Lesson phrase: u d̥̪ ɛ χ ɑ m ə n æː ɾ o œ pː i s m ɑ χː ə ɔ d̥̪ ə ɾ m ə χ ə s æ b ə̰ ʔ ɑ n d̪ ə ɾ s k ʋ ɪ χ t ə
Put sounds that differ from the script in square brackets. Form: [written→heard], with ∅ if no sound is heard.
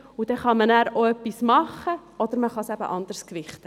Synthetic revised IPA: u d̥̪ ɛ χ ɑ m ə n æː ɾ o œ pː i s m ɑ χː ə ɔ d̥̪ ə ɾ m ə χ [ə→ɑ] s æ b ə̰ ʔ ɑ n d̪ ə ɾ s k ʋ ɪ χ t ə